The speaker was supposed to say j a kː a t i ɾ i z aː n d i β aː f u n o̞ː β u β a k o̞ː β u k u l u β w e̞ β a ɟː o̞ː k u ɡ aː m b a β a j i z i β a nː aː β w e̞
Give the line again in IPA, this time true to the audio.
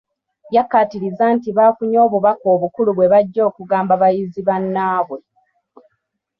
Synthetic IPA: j a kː a t i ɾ i z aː n t i β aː f u ɲ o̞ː β u β a k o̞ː β u k u l u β w e̞ β a ɟː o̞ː k u ɡ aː m b a β a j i z i β a nː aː β w e̞